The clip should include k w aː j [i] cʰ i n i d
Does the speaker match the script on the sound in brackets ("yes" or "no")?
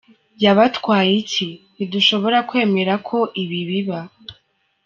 yes